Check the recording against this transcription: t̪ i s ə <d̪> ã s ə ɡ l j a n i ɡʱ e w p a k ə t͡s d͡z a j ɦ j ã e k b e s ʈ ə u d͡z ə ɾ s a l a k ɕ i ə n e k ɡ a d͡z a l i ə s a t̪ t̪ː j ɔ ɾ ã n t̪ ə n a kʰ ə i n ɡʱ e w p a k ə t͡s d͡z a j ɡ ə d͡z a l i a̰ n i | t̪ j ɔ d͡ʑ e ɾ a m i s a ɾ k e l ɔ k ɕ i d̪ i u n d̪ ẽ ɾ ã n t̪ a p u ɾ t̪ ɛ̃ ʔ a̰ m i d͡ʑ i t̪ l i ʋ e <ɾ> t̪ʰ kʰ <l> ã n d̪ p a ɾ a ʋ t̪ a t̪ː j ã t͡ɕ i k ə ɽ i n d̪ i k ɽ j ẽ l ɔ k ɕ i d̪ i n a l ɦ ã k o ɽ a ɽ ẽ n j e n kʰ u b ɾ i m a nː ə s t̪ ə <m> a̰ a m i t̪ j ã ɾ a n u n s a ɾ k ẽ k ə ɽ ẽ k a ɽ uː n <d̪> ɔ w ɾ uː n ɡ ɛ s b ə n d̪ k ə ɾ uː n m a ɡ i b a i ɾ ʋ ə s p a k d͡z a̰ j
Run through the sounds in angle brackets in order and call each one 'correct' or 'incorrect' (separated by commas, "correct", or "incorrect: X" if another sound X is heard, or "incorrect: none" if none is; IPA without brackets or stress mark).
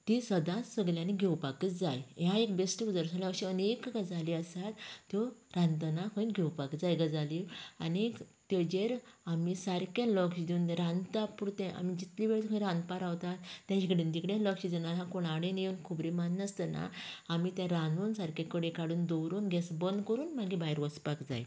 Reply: correct, incorrect: ɭ, incorrect: ɾ, incorrect: n, correct